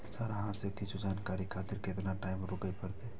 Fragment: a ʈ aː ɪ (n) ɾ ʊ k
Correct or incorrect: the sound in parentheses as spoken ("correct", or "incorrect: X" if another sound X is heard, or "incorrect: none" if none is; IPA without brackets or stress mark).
incorrect: m